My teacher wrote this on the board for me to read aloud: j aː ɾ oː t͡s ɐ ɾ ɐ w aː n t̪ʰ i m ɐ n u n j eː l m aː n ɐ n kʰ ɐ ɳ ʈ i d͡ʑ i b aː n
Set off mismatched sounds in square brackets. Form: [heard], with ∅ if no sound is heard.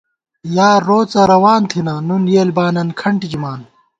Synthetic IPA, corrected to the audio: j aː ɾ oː t͡s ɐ ɾ ɐ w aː n t̪ʰ i [n] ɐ n u n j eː l [b] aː n ɐ n kʰ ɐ ɳ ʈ i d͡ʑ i [m] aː n